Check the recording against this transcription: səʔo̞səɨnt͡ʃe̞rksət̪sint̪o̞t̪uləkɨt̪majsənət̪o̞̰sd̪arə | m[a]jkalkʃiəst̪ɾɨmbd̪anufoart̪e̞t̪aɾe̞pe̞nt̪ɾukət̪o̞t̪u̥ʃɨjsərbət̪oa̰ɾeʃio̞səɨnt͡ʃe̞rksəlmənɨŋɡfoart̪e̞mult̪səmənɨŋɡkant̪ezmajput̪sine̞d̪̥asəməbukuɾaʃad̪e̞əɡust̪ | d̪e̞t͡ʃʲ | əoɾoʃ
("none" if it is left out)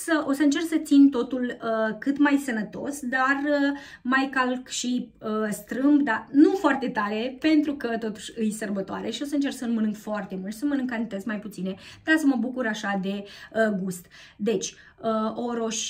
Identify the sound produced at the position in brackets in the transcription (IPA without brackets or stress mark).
a